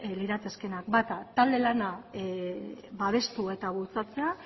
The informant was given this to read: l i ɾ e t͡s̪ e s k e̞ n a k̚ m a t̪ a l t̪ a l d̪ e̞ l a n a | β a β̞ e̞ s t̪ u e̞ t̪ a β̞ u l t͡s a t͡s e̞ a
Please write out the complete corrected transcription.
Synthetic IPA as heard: l i ɾ a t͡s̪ e s k e̞ n a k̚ b a t̪ a t̪ a l d̪ e̞ l a n a | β a β̞ e̞ s t̪ u e̞ t̪ a β̞ u l t͡s a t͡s e̞ a